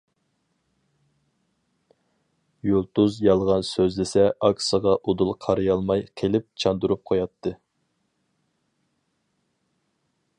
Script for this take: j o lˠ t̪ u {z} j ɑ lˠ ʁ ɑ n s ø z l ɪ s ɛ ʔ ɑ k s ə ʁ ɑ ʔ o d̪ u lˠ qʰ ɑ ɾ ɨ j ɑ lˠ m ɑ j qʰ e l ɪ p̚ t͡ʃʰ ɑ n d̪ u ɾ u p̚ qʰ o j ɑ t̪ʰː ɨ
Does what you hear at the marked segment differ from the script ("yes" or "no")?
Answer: no